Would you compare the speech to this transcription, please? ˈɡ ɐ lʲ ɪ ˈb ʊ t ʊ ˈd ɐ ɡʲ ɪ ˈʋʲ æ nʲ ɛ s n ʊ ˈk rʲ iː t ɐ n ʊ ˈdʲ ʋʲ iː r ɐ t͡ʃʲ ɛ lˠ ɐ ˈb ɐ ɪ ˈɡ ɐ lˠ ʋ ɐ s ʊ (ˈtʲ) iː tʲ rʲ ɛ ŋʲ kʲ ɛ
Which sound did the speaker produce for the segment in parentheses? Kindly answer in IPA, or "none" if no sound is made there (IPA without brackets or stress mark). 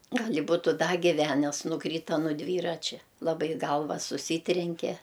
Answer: sʲ